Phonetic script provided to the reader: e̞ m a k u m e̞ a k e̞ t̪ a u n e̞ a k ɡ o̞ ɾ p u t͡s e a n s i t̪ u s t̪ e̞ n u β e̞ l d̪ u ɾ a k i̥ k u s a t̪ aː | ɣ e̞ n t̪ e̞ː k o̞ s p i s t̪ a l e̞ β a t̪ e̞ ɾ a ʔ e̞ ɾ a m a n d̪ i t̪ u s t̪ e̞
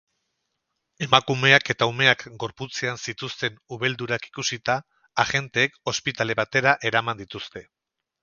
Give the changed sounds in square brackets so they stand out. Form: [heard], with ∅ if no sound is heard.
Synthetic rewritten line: e̞ m a k u m e̞ a k e̞ t̪ a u [m] e̞ a k ɡ o̞ ɾ p u t͡s e a n s i t̪ u s t̪ e̞ n u β e̞ l d̪ u ɾ a k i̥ k u s [i] t̪ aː | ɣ e̞ n t̪ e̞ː k o̞ s p i [∅] t̪ a l e̞ β a t̪ e̞ ɾ a ʔ e̞ ɾ a m a n d̪ i t̪ u s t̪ e̞